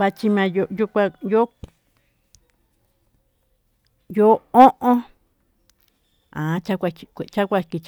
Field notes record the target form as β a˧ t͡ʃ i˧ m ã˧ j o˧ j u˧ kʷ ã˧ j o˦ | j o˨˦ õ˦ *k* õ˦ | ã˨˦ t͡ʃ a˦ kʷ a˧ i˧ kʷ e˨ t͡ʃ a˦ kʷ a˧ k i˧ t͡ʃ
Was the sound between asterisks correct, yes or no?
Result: no